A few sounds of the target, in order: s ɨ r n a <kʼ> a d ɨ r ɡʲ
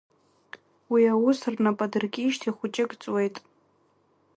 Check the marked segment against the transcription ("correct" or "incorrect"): incorrect